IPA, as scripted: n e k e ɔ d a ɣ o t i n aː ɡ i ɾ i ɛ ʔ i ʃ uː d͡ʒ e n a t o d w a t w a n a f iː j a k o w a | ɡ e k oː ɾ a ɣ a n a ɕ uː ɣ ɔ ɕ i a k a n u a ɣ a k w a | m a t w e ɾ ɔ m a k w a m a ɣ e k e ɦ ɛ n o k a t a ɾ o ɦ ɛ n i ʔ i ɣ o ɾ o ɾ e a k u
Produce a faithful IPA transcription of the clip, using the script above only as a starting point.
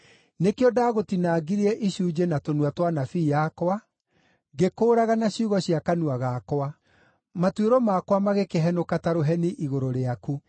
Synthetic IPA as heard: n e k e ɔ d a ɣ o t i n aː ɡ i ɾ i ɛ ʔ i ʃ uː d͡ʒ e n a t o n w a t w a n a f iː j a k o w a | ɡ e k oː ɾ a ɣ a n a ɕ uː ɣ ɔ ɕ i a k a n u a ɣ a k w a | m a t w e ɾ ɔ m a k w a m a ɣ e k e ɦ ɛ n o k a t a ɾ o ɦ ɛ n i ʔ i ɣ o ɾ o ɾ e a k u